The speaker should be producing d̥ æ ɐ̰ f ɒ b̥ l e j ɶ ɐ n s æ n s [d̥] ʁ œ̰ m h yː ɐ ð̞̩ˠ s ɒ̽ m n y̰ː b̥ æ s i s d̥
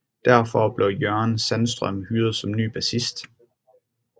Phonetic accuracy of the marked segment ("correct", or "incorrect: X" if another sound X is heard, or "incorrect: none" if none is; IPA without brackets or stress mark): correct